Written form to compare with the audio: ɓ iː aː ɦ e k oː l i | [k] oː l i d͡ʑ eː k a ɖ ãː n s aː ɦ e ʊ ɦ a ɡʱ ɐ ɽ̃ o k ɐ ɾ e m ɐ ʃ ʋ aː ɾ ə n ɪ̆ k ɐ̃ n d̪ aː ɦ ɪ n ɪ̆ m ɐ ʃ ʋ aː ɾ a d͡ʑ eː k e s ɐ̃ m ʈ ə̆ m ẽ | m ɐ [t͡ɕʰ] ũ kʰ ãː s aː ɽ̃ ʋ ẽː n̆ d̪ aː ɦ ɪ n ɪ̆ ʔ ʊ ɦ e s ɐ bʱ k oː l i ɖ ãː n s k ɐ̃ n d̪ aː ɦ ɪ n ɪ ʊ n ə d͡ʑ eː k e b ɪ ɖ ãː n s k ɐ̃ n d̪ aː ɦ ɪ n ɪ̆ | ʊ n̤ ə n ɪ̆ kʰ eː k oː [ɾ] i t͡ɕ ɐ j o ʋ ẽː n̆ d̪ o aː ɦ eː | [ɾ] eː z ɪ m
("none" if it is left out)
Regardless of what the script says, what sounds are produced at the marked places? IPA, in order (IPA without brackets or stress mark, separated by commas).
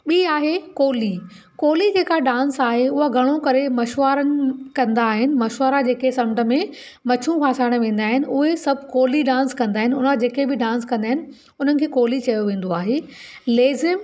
k, t͡ɕʰ, l, l